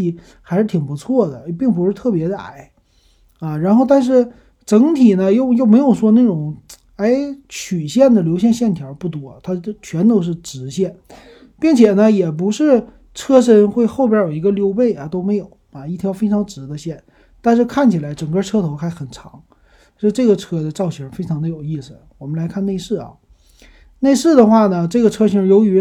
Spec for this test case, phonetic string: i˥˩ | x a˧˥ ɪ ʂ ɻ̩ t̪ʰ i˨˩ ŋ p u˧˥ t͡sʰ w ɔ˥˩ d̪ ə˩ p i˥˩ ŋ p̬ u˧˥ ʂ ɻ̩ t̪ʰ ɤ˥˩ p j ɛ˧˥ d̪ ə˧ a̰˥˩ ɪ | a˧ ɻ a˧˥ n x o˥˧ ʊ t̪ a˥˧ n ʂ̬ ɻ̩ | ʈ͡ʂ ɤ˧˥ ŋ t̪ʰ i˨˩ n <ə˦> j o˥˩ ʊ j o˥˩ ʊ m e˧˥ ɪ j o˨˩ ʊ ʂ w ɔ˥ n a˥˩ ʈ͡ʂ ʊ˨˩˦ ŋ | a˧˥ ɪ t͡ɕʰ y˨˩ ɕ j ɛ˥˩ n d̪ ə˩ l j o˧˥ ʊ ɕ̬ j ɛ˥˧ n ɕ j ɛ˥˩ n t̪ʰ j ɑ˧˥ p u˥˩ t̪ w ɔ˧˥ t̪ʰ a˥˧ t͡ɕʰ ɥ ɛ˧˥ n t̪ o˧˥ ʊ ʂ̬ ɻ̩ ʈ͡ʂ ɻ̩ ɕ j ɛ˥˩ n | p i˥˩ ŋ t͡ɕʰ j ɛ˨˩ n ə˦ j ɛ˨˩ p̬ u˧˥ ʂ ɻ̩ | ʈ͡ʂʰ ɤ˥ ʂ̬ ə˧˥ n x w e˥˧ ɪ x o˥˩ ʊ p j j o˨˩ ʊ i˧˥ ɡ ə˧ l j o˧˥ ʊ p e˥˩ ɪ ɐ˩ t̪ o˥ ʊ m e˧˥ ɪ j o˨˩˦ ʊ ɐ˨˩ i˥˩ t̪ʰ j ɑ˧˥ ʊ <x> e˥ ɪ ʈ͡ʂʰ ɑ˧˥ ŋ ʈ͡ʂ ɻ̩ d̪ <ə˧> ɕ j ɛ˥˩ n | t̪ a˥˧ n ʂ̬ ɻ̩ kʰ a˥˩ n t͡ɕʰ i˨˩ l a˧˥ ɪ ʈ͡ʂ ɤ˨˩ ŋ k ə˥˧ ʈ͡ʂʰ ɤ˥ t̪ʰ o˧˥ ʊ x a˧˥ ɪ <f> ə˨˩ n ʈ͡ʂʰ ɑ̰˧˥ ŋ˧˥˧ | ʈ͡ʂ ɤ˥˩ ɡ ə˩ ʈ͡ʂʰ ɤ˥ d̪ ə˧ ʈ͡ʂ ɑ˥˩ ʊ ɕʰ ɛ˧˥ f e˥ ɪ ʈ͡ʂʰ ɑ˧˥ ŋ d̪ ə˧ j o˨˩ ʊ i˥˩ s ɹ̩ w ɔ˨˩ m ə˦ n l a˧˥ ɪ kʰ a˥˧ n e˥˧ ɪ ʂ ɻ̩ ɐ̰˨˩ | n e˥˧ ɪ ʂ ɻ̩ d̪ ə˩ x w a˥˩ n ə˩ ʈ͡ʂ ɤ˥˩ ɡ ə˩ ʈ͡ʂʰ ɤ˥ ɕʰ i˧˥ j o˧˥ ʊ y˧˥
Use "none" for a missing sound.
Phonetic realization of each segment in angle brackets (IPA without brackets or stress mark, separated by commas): ə˦, f, ə˧, x